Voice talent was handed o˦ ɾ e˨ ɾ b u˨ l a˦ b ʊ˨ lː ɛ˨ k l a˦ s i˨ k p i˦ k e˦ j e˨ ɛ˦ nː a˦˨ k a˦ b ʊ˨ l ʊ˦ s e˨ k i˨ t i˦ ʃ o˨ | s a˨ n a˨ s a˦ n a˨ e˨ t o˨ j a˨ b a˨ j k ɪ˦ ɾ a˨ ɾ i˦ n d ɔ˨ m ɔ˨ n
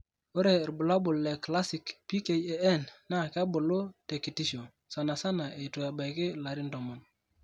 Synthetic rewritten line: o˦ ɾ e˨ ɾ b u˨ l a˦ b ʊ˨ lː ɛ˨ k l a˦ s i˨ k p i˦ k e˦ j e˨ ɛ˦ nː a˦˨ k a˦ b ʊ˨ l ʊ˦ t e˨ k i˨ t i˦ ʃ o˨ | s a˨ n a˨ s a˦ n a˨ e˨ t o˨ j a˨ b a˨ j k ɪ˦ l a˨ ɾ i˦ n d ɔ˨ m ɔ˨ n